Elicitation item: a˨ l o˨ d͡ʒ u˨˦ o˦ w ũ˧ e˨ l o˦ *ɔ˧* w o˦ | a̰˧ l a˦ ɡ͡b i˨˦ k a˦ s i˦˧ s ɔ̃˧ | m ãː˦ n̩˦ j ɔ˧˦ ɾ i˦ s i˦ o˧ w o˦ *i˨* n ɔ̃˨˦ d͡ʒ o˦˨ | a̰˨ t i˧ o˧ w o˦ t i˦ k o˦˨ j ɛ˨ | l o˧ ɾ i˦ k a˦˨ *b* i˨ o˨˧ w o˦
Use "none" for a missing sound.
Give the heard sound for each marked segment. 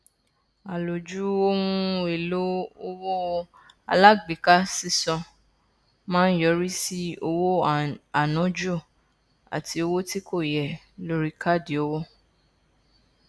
o˧, a˨, d

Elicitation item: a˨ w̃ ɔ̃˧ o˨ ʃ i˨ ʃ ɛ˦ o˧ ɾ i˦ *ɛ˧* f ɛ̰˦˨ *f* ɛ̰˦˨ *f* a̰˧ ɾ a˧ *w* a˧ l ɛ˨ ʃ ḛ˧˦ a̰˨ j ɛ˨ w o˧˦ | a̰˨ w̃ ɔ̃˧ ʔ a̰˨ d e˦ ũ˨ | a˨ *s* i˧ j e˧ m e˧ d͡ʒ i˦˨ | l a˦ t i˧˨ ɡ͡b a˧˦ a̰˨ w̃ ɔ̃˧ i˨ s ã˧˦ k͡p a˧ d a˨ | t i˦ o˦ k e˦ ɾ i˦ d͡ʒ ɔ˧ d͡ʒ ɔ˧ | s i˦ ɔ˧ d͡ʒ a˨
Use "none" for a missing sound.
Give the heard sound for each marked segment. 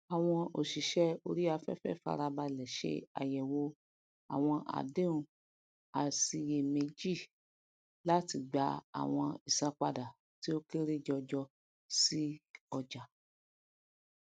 a˧, f, f, b, s

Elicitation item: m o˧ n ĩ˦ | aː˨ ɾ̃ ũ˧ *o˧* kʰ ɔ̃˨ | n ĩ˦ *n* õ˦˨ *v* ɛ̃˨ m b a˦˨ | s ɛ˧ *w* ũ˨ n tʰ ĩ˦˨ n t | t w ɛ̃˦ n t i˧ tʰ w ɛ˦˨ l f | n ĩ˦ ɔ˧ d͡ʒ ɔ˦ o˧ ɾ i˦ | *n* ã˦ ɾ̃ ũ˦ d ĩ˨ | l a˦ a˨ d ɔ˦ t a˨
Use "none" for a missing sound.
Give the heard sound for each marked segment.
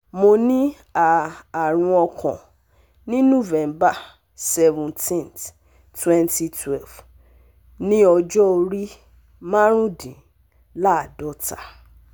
ɔ˧, n, v, v, m

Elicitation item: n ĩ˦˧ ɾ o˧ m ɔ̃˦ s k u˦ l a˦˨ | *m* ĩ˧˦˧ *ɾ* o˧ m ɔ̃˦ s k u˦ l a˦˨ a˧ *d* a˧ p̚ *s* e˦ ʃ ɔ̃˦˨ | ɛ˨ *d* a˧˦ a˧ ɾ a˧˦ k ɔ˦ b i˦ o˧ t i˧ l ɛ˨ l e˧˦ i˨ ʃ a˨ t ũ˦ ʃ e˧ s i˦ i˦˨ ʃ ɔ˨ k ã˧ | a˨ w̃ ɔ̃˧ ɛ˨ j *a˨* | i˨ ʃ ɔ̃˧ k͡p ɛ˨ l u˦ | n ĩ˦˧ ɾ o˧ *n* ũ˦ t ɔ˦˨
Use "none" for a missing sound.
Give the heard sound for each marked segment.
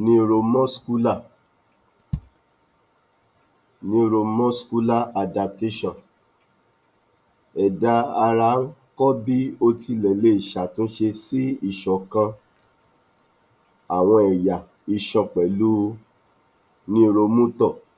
n, ɾ, d, t, d, a˨, m

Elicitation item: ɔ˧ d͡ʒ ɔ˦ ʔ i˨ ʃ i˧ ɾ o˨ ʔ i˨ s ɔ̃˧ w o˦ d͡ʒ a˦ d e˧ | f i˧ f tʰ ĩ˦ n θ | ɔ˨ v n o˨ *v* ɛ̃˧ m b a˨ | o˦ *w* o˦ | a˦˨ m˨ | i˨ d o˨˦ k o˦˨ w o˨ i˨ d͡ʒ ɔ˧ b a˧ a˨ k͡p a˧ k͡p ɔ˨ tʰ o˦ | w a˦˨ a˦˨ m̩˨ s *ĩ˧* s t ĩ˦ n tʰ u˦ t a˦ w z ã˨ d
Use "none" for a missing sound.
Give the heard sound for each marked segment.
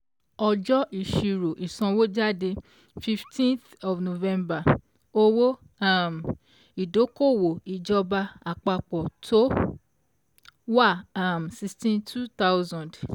v, w, i˧

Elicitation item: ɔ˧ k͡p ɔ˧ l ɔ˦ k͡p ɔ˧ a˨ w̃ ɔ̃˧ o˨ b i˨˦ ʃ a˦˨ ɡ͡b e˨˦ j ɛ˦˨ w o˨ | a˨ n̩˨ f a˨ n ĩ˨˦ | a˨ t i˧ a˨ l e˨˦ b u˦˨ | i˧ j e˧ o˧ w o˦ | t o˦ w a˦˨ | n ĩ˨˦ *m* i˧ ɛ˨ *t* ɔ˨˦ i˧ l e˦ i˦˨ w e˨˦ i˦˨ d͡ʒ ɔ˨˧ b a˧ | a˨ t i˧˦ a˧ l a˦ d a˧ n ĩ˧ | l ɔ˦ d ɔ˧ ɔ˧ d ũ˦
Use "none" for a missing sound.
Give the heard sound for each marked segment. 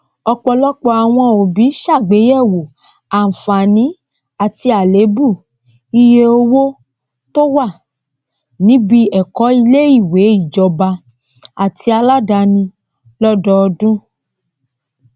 b, k

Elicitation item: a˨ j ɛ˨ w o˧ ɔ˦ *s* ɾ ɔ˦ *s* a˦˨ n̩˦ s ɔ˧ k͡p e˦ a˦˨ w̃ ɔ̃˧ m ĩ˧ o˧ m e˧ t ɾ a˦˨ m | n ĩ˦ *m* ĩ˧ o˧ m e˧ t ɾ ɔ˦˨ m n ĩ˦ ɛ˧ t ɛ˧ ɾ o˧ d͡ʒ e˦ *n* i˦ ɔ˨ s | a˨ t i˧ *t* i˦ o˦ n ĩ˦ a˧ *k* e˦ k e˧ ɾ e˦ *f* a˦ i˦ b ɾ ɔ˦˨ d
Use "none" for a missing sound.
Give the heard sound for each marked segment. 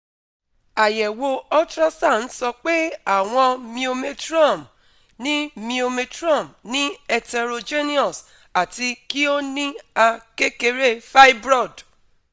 t, s, m, n, k, k, f

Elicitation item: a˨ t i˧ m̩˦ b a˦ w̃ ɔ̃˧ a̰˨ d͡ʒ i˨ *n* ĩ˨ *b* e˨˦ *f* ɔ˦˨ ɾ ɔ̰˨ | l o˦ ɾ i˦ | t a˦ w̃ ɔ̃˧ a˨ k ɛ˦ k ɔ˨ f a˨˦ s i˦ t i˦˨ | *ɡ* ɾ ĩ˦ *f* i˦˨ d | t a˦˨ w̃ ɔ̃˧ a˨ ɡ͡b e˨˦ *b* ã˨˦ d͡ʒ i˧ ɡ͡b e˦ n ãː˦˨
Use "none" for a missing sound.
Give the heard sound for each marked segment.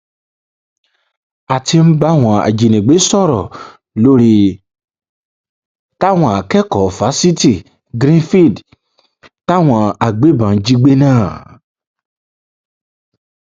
n, ɡ͡b, s, ɡ, f, b

